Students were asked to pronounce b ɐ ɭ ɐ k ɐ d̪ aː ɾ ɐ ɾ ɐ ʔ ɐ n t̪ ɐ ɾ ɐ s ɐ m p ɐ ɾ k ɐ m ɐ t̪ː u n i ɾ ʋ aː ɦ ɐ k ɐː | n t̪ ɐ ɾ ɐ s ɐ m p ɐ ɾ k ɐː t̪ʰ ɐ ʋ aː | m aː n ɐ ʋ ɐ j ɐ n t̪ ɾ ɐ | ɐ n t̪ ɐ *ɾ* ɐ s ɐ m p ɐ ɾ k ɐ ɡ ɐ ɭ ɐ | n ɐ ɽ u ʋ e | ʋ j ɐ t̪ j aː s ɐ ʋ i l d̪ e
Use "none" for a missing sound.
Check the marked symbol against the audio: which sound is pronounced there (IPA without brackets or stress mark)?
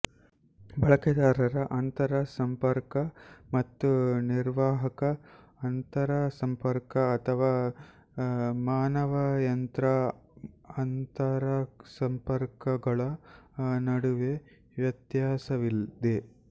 ɾ